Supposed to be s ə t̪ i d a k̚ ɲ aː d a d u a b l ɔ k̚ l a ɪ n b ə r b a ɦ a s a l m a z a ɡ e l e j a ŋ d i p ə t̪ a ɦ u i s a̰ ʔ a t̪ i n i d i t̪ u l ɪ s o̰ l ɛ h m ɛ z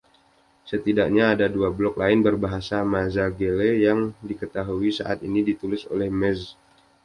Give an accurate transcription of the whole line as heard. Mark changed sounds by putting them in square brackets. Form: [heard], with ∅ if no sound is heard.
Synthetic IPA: s ə t̪ i d a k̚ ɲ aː d a d u a b l ɔ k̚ l a ɪ n b ə r b a ɦ a s a [∅] m a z a ɡ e l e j a ŋ d i [k] ə t̪ a ɦ u i s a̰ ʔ a t̪ i n i d i t̪ u l ɪ s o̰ l ɛ h m ɛ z